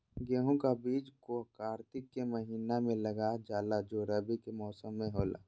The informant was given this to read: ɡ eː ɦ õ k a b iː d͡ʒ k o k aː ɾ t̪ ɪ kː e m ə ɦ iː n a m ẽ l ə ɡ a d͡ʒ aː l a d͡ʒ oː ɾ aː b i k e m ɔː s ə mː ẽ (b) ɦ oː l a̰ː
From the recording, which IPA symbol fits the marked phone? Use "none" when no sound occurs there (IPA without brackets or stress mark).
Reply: none